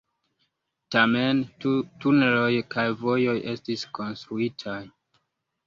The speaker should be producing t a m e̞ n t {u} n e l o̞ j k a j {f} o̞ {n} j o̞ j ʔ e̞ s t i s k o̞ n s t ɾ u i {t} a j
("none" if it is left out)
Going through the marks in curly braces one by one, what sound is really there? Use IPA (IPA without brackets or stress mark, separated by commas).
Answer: u, v, none, tʰ